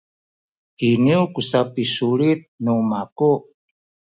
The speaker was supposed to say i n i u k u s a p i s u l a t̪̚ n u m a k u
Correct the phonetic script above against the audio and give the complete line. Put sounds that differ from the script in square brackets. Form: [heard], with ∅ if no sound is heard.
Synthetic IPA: i n i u k u s a p i s u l [i] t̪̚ n u m a k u